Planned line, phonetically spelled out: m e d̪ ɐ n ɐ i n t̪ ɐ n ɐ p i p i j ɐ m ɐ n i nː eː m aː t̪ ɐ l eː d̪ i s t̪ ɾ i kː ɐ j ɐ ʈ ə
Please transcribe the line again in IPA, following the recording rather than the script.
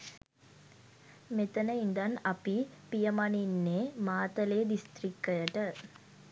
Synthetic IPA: m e t̪ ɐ n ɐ i n d̪ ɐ n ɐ p i p i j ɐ m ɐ n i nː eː m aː t̪ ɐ l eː d̪ i s t̪ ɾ i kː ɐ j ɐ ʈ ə